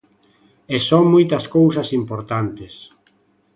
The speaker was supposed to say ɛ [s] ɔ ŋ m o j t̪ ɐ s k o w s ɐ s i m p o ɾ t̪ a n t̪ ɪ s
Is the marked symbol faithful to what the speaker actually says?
yes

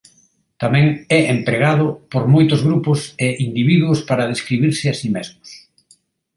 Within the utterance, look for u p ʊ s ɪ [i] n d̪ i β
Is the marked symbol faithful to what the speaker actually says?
yes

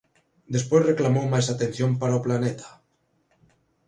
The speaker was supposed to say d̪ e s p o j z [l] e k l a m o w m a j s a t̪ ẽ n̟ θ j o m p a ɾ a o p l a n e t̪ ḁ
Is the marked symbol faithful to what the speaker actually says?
no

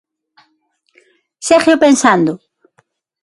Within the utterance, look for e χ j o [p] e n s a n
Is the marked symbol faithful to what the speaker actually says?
yes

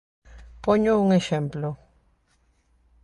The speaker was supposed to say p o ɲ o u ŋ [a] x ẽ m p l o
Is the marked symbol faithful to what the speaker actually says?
no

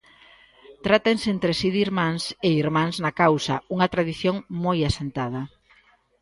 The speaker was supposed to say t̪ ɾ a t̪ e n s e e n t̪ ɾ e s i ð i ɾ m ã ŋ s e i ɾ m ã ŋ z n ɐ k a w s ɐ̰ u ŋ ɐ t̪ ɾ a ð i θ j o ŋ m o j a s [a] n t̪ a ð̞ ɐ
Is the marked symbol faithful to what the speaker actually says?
no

